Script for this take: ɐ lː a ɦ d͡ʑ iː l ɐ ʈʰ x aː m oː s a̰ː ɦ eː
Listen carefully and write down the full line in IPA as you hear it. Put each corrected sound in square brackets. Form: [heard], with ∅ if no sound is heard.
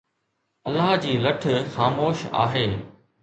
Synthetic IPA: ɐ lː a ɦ d͡ʑ iː l ɐ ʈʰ x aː m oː [ʃ] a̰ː ɦ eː